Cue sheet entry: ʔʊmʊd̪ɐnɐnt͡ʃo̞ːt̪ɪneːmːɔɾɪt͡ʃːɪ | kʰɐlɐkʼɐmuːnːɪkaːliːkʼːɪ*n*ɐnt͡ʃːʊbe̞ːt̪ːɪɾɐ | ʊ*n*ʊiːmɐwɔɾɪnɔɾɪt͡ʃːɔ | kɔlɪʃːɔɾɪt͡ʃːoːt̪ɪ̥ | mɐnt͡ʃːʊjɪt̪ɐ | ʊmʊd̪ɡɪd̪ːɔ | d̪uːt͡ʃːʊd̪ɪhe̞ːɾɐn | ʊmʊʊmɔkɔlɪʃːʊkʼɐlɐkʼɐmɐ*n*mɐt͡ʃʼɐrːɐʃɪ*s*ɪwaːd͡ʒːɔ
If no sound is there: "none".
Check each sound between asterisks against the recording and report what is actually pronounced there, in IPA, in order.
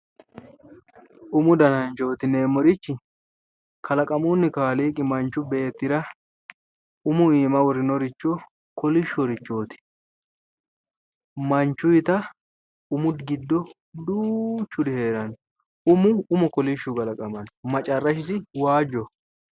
m, m, n, s

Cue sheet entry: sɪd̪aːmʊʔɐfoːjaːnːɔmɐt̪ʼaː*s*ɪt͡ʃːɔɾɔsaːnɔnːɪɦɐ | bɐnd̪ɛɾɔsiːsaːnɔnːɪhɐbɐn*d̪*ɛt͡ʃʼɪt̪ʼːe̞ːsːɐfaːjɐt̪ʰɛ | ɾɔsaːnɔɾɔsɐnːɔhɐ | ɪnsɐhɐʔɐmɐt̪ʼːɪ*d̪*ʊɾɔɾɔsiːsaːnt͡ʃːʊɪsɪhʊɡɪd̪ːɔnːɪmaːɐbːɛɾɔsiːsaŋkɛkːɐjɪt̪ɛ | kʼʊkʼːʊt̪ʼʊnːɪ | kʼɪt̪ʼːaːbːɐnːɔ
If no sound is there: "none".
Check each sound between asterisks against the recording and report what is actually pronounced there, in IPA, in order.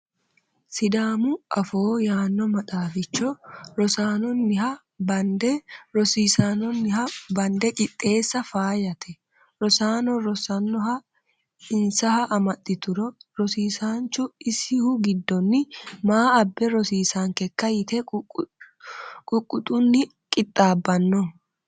f, d̪, t̪

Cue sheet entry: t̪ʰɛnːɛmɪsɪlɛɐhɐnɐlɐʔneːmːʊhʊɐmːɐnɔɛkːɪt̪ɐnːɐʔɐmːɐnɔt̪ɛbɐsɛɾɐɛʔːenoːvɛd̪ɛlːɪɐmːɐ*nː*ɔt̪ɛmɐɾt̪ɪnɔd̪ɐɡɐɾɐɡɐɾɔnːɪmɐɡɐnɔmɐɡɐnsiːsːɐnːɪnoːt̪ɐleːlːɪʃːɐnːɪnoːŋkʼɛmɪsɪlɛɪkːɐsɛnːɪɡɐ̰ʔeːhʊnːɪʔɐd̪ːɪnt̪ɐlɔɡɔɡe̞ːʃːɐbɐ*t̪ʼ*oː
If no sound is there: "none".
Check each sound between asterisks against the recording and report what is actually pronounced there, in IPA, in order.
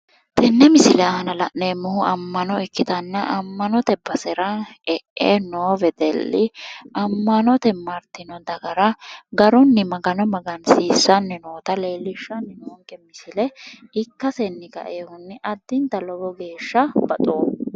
n, t̪ʼ

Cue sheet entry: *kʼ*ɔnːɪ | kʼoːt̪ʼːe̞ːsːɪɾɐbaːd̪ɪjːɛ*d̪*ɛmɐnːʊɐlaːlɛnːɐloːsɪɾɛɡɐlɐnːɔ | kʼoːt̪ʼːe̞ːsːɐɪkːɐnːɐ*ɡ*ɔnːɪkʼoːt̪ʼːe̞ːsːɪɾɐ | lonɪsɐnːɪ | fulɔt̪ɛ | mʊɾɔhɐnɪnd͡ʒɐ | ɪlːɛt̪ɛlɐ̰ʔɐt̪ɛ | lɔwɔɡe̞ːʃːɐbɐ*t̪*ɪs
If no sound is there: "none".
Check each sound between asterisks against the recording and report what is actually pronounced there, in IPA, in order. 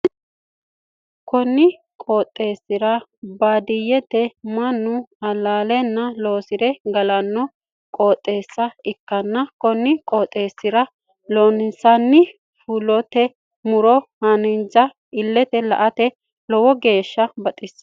k, t̪, k, t̪ʼ

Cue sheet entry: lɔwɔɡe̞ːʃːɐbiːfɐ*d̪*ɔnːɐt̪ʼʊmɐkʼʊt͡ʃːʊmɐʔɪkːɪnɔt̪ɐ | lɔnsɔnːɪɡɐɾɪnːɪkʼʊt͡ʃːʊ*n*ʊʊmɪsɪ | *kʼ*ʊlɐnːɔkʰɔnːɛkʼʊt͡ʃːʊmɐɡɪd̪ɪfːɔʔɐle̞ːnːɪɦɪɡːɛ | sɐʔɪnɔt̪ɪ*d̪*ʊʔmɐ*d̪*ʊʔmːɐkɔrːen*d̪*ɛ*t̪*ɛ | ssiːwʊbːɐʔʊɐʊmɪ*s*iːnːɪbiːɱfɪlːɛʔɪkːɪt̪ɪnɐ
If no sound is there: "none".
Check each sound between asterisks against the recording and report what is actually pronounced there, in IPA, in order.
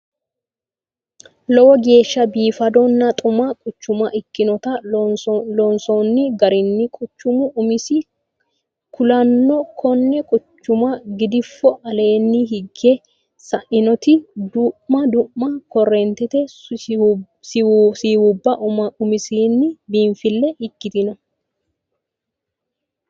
d̪, m, k, d̪, d̪, t̪, t̪, s

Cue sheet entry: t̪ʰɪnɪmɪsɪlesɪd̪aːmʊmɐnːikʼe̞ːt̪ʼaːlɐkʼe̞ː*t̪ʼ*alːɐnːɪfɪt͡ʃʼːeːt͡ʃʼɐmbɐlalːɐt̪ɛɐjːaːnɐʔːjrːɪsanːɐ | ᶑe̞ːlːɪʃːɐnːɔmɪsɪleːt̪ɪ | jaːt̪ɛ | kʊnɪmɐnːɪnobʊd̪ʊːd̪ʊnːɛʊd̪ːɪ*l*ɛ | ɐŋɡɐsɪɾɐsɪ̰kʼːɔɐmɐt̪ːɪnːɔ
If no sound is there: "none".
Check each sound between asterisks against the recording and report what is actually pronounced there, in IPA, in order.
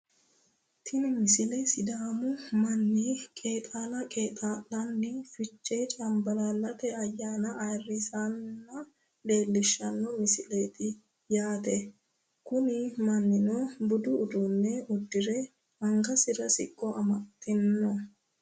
t̪ʼ, ɾ

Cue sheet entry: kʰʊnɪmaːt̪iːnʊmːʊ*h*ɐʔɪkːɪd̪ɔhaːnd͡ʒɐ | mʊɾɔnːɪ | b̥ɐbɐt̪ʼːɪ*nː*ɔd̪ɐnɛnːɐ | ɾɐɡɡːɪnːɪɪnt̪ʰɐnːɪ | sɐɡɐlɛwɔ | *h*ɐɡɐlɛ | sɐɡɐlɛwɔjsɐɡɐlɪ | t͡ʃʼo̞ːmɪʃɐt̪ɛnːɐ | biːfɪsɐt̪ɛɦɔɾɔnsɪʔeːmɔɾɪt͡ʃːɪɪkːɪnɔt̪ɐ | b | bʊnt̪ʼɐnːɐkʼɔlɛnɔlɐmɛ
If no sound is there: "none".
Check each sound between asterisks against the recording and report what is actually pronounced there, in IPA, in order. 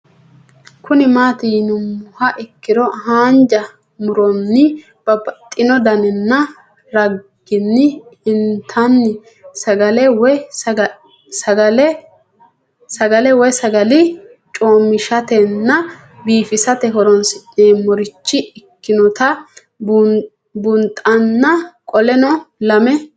h, n, s

